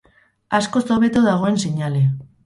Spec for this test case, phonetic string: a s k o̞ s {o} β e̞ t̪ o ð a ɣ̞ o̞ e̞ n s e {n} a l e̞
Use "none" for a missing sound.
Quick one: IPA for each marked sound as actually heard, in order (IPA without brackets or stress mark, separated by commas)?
o, ɲ